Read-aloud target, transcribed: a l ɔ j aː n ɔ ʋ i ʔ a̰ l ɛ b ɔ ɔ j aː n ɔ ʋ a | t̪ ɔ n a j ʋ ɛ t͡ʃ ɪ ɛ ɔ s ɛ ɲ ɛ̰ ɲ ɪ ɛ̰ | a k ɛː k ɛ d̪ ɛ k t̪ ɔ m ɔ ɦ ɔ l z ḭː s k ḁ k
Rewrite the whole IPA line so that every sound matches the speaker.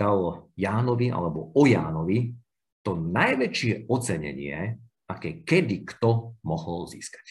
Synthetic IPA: a l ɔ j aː n ɔ ʋ i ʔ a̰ l ɛ b ɔ ɔ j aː n ɔ ʋ i | t̪ ɔ n a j ʋ ɛ t͡ʃ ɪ ɛ ɔ t͡s ɛ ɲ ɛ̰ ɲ ɪ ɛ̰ | a k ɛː k ɛ d̪ i k t̪ ɔ m ɔ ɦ ɔ l z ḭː s k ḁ c